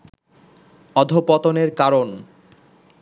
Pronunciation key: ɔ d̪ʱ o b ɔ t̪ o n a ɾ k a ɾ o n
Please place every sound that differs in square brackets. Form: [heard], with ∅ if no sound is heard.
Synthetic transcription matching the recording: ɔ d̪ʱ o [p] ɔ t̪ o n [e] ɾ k a ɾ o n